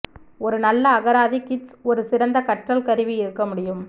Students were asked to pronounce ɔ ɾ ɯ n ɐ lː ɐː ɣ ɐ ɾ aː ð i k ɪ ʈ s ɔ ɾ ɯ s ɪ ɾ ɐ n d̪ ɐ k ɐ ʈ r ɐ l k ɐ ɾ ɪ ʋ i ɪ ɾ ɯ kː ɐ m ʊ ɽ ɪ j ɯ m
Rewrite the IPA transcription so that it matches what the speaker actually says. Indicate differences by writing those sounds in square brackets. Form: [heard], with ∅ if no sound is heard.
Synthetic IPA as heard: ɔ ɾ ɯ n ɐ lː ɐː ɣ ɐ ɾ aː ð i k ɪ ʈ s ɔ ɾ ɯ s ɪ ɾ ɐ n d̪ ɐ k ɐ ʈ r ɐ l k ɐ ɾ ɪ ʋ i ɪ ɾ ɯ kː ɐ m ʊ ɽ ɪ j ɯ m